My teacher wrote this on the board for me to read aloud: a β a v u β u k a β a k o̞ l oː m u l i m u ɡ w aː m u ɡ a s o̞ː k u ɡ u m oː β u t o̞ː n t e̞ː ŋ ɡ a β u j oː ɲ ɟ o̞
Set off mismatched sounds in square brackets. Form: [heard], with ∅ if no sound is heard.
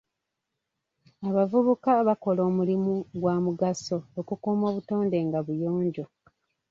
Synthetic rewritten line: a β a v u β u k a β a k o̞ l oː m u l i m u ɡ w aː m u ɡ a s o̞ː k u [k] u m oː β u t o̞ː n [d] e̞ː ŋ ɡ a β u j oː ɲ ɟ o̞